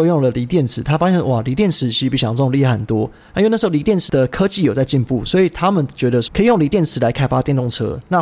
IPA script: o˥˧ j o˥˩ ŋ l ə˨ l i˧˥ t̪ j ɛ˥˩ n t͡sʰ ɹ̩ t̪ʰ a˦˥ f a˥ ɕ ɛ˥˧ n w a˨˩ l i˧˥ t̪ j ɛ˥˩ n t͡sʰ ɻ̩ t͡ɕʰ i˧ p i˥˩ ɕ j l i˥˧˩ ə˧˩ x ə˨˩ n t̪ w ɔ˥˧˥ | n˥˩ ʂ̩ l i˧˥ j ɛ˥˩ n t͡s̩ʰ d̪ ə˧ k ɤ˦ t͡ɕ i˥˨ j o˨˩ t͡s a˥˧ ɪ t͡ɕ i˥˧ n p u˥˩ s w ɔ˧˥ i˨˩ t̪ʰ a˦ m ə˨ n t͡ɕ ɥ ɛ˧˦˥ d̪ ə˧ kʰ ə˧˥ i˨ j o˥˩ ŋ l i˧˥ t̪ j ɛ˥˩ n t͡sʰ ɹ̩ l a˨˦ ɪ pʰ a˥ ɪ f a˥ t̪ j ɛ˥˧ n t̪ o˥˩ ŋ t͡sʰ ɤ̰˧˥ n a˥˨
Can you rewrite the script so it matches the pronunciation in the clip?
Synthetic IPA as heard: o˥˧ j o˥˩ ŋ l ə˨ l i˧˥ t̪ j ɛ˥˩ n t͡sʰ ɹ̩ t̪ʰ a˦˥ f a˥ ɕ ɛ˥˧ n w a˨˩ l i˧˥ t̪ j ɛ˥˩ n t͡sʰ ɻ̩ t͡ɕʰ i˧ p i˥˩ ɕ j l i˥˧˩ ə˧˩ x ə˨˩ n t̪ w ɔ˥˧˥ | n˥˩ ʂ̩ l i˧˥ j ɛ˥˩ n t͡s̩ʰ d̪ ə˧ kʰ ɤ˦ t͡ɕ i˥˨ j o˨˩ t͡s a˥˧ ɪ t͡ɕ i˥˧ n p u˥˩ s w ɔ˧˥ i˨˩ t̪ʰ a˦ m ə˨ n t͡ɕ ɥ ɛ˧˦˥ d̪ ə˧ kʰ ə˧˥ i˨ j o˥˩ ŋ l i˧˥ t̪ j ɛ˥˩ n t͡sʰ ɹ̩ l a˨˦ ɪ kʰ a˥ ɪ f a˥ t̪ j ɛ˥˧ n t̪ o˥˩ ŋ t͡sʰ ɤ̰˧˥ n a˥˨